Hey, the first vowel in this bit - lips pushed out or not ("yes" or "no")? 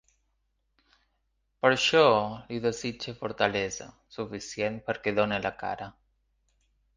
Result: no